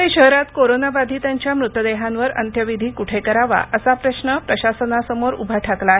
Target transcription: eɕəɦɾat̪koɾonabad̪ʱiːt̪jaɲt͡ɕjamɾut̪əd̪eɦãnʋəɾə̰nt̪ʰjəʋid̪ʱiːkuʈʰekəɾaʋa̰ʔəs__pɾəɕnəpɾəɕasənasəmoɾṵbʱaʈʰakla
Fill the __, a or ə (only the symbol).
a